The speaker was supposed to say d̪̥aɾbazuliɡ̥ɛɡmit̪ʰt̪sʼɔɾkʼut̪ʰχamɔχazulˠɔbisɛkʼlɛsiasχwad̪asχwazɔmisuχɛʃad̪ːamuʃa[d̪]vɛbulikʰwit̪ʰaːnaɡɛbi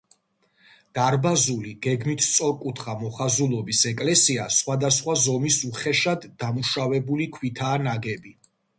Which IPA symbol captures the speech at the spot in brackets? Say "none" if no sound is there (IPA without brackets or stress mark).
none